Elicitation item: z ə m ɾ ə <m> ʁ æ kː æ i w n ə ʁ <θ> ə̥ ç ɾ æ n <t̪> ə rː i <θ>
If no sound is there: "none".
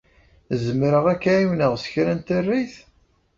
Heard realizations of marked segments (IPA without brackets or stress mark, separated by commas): none, s, t̪, θ